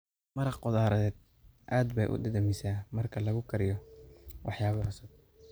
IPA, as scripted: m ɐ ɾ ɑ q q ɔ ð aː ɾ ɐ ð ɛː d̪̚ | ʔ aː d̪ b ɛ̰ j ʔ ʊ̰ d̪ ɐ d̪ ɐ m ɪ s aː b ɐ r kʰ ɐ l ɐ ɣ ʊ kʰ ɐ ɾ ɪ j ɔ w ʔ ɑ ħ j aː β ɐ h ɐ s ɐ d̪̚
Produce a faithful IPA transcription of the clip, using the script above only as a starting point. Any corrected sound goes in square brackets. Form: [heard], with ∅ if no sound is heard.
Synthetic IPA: m ɐ ɾ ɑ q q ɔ ð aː ɾ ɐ ð ɛː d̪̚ | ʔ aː d̪ b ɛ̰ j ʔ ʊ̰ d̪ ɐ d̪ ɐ m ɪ s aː [m] ɐ r kʰ ɐ l ɐ ɣ ʊ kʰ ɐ ɾ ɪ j ɔ w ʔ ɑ ħ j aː β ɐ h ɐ s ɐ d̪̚

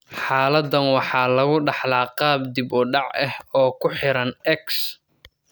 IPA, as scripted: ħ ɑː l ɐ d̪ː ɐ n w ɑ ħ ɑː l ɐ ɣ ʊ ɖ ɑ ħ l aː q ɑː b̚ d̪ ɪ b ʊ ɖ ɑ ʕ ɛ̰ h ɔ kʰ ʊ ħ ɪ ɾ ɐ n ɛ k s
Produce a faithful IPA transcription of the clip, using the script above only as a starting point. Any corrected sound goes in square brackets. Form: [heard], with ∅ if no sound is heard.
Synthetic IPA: ħ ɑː l ɐ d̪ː ɐ n w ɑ ħ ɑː l ɐ ɣ ʊ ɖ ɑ ħ l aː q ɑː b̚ d̪ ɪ b ʊ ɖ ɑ ʕ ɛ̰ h [ɔː] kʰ ʊ ħ ɪ ɾ ɐ n ɛ k s

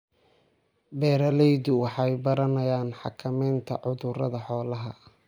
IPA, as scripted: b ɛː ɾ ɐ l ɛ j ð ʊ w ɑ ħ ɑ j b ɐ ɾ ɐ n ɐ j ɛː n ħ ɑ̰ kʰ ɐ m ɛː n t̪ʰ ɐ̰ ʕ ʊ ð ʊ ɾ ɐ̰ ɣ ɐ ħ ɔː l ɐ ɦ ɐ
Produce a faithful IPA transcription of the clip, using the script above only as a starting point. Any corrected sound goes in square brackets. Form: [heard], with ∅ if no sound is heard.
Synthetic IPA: b ɛː ɾ ɐ l ɛ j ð ʊ w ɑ ħ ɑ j b ɐ ɾ ɐ n ɐ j [aː] n ħ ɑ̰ kʰ ɐ m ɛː n t̪ʰ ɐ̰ ʕ ʊ ð ʊ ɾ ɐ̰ [ð] ɐ ħ ɔː l ɐ ɦ ɐ

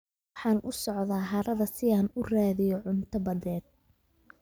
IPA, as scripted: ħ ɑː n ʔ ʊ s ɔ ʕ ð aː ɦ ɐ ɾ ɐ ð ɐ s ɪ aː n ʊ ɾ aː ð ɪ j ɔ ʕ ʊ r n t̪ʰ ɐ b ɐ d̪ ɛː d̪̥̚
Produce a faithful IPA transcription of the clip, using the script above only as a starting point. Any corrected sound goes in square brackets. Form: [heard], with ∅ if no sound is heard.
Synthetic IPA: ħ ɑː n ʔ ʊ s ɔ ʕ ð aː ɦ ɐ ɾ ɐ ð ɐ s ɪ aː n ʊ [r] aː ð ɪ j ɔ ʕ ʊ [∅] n t̪ʰ ɐ b ɐ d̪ ɛː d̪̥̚

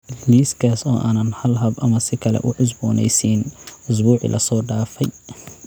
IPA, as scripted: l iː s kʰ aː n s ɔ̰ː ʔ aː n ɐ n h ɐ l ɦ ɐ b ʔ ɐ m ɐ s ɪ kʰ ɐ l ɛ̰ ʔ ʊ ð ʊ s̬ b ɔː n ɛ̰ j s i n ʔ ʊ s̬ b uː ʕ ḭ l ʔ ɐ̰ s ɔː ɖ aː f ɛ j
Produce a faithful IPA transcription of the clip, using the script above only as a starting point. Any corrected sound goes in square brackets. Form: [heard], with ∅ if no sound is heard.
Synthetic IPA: l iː s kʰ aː [∅] s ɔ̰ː ʔ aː n ɐ n h ɐ l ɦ ɐ b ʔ ɐ m ɐ s ɪ kʰ ɐ l ɛ̰ ʔ ʊ [ʕ] ʊ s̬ b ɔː n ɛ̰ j s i n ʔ ʊ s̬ b uː ʕ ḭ l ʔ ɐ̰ s ɔː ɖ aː f ɛ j

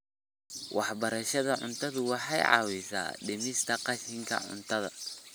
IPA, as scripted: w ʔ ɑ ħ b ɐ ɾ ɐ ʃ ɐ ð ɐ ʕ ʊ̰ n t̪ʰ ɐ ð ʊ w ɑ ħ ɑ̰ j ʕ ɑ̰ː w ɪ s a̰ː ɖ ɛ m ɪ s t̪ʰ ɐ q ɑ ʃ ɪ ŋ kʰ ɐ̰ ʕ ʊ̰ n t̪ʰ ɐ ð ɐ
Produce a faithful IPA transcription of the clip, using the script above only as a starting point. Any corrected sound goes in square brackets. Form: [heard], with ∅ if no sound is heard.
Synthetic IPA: w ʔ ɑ ħ b ɐ ɾ ɐ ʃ ɐ ð ɐ ʕ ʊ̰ n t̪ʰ ɐ ð ʊ w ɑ ħ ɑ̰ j ʕ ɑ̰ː w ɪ s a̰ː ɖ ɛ m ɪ s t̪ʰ ɐ q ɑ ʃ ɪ ŋ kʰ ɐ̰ ʕ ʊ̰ n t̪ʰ ɐ ð ɐ

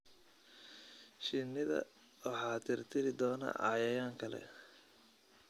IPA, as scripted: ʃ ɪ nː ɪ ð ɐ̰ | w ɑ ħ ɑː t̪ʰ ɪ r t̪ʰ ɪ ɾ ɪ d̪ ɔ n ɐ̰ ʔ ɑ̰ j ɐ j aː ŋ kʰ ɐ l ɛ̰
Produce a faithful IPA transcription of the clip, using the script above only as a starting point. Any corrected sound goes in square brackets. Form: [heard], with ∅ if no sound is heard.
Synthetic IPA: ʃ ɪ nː ɪ ð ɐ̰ | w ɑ ħ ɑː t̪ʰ ɪ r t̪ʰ ɪ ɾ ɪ d̪ [ɔː] n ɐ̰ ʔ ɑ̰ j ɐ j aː ŋ kʰ ɐ l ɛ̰

